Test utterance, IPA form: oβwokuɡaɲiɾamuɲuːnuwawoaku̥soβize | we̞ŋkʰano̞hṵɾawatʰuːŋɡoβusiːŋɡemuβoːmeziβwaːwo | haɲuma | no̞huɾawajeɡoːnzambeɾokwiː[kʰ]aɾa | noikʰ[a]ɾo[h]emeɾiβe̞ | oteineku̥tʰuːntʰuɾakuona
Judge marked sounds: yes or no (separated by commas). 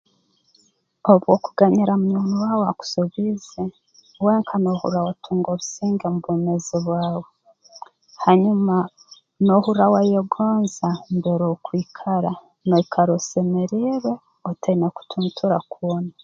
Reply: yes, yes, no